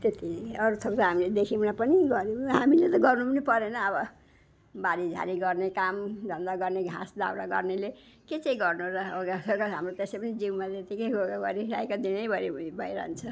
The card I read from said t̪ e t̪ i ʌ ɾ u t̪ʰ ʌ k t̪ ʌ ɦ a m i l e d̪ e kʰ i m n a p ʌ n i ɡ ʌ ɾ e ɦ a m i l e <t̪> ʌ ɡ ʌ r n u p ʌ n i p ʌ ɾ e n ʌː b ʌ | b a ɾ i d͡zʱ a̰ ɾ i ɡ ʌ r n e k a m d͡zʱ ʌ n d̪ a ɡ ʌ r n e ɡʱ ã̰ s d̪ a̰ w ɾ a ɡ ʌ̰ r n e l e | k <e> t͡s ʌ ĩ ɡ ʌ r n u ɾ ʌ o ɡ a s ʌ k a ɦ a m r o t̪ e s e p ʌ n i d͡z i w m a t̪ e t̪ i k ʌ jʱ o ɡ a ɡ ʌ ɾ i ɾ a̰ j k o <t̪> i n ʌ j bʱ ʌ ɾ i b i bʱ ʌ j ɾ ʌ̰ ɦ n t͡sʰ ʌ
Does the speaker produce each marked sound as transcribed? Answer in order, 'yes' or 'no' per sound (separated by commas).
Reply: yes, yes, no